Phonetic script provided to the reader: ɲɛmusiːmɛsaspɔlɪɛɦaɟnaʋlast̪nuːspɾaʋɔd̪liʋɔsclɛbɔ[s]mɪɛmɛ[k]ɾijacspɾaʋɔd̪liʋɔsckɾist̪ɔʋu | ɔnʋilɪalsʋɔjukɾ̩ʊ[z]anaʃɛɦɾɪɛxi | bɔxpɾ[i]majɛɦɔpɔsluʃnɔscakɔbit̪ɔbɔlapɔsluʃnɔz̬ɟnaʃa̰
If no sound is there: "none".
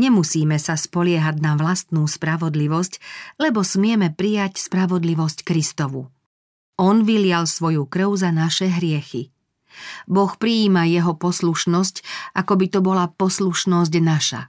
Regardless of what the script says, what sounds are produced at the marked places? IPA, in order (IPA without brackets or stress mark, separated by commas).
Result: s, p, z, iː